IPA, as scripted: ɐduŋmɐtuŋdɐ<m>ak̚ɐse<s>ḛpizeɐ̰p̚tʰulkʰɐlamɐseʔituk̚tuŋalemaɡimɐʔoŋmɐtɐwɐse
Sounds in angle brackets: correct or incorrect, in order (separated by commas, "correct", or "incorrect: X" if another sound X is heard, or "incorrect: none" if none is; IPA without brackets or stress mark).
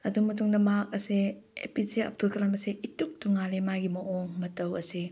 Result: correct, incorrect: none